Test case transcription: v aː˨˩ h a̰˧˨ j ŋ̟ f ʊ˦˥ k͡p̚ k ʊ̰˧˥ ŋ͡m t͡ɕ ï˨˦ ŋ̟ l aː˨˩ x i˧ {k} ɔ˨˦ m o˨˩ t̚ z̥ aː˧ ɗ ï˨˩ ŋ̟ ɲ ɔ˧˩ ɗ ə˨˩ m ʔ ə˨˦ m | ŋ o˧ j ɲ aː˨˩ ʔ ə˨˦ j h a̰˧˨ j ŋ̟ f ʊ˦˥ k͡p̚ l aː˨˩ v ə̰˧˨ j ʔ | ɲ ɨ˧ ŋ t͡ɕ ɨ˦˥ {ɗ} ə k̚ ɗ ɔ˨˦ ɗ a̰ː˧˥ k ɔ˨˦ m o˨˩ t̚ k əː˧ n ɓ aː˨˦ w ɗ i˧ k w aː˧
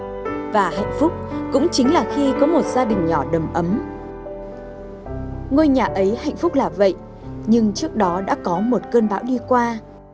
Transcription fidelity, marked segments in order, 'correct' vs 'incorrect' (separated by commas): correct, incorrect